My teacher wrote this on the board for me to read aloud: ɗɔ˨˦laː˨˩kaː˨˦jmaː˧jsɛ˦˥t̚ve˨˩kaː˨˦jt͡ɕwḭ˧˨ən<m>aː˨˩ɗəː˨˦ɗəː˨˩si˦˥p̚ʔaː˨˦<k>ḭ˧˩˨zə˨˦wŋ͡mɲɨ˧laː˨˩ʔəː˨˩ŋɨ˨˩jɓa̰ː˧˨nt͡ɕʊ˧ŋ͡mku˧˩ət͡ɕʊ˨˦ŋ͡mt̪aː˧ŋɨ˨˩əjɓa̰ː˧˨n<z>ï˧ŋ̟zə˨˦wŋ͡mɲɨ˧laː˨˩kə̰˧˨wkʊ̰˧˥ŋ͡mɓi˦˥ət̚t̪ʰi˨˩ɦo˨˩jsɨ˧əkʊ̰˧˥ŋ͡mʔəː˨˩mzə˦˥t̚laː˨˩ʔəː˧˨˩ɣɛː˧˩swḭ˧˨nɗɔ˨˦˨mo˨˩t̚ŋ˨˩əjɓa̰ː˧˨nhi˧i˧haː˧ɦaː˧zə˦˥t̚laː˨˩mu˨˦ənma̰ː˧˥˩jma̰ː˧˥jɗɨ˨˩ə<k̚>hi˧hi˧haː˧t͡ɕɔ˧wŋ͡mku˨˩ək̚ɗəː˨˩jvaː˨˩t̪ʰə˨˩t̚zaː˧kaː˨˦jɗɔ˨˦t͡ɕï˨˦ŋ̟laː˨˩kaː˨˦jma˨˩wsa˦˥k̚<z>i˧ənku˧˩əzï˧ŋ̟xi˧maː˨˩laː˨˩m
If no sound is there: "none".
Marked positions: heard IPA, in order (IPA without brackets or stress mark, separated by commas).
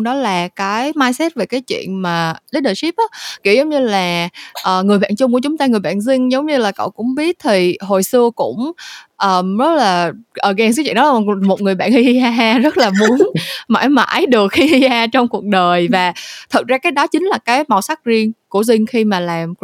m, k, z, k̚, z